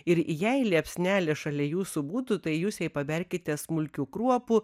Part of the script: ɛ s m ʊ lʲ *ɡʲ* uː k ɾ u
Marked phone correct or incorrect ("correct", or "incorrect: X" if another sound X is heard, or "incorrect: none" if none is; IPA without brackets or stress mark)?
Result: incorrect: kʲ